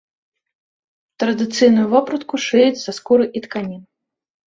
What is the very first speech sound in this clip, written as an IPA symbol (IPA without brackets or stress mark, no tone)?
t̪